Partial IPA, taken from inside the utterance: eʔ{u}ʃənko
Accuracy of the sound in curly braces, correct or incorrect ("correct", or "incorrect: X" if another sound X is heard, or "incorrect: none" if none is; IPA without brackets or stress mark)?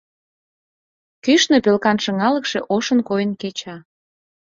incorrect: o